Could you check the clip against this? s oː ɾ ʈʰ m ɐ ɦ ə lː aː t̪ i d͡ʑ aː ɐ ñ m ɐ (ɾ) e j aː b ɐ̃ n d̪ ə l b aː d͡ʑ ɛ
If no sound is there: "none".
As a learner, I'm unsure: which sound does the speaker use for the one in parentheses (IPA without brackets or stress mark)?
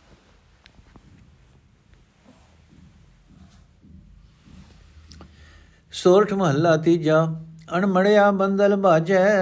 ɽ